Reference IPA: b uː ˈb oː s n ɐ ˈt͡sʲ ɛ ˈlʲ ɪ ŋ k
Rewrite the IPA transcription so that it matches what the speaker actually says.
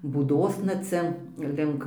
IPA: b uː ˈd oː s n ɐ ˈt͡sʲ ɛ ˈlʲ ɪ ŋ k